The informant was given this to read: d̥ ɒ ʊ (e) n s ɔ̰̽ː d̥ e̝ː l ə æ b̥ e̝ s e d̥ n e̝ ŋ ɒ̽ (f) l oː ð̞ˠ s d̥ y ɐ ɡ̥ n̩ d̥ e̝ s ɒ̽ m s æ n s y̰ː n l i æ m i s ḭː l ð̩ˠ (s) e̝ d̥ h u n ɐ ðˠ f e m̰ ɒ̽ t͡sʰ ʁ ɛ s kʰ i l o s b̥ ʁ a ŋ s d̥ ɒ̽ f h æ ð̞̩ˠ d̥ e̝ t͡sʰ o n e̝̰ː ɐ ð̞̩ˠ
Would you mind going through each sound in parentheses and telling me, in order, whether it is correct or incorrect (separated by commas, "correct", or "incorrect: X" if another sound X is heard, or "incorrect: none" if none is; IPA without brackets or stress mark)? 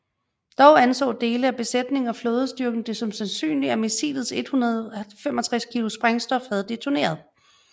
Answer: incorrect: æ, correct, correct